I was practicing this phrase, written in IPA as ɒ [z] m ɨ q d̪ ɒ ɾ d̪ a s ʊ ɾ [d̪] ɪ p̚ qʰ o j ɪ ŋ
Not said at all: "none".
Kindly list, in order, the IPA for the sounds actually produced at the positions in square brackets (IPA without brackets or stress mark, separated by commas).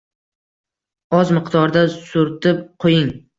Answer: z, t̪